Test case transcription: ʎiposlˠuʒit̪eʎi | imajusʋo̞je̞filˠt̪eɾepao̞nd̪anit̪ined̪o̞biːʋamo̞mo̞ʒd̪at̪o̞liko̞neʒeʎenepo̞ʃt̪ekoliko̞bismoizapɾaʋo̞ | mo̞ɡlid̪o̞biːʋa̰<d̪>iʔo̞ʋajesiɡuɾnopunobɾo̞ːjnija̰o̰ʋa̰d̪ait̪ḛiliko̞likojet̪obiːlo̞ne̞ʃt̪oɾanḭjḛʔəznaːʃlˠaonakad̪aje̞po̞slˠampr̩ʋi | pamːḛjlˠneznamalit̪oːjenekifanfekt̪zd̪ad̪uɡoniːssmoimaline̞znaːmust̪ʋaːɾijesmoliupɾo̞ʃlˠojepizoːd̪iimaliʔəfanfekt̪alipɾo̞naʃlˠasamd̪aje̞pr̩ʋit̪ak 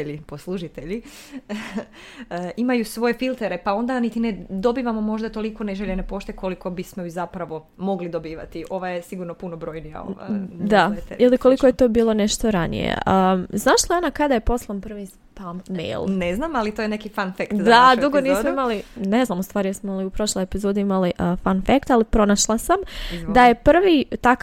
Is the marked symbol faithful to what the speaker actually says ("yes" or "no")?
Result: no